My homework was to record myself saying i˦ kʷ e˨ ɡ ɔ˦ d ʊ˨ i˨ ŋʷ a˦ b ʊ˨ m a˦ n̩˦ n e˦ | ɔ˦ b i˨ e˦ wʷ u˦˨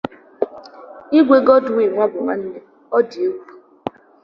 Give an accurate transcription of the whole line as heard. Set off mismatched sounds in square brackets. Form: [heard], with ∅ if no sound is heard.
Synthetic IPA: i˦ [ɡʷ] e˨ ɡ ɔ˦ d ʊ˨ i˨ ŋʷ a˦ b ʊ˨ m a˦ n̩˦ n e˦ | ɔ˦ [d] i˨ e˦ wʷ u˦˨

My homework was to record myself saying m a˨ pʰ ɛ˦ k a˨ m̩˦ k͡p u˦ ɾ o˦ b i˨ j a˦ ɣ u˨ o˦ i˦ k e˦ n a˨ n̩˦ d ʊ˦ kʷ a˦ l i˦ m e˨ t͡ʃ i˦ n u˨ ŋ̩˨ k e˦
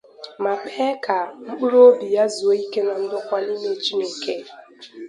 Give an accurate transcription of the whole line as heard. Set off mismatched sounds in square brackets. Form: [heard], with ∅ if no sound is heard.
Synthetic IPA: m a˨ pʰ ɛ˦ k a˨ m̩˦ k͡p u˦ ɾ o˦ b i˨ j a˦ [z] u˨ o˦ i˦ k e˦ n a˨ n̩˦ d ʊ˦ kʷ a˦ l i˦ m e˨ t͡ʃ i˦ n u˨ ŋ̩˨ k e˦

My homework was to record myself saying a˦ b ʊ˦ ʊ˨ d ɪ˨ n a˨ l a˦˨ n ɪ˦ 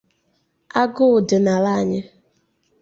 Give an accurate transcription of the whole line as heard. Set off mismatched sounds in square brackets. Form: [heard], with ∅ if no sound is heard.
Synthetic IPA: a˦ [ɡ] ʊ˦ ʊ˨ d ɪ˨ n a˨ l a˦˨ [ɲ] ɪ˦

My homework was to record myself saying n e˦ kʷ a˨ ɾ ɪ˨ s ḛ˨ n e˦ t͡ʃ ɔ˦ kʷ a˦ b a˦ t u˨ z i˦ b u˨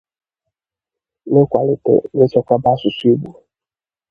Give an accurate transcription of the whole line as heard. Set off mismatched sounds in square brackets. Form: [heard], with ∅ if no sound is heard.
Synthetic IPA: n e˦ kʷ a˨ [l] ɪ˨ [t] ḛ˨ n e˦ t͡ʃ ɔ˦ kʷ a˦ b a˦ [s] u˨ [s] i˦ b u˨

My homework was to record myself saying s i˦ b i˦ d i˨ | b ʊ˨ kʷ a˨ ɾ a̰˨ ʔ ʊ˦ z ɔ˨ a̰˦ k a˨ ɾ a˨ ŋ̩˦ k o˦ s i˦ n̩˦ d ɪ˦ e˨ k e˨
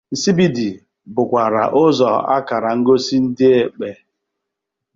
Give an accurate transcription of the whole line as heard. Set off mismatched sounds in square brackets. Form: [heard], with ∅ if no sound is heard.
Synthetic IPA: s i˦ b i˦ d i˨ | b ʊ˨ kʷ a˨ ɾ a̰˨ ʔ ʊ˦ z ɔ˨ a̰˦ k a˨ ɾ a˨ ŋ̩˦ [ɡ] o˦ s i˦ n̩˦ d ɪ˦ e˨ [k͡p] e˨

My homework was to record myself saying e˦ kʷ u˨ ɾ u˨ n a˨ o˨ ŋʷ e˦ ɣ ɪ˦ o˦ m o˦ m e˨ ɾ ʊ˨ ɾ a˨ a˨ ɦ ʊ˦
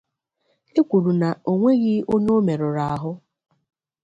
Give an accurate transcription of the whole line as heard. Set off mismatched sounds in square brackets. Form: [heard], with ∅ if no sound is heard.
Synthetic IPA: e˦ kʷ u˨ ɾ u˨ n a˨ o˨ ŋʷ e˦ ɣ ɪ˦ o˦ [ɲ] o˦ m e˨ ɾ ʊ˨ ɾ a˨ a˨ ɦ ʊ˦

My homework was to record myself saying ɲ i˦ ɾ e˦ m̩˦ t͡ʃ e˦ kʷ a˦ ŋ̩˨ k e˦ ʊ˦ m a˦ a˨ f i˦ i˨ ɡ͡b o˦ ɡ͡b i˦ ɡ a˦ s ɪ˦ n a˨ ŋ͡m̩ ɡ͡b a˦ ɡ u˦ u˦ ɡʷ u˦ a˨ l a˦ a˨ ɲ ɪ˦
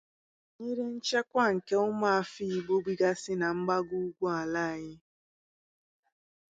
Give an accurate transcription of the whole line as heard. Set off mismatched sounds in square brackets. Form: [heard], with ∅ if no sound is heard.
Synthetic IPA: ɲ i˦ ɾ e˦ [n̩˦] t͡ʃ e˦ kʷ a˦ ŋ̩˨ k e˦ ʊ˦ m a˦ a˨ f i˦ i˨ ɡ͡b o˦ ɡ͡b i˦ ɡ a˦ s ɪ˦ n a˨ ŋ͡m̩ ɡ͡b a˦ ɡ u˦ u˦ ɡʷ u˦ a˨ l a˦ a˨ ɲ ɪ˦

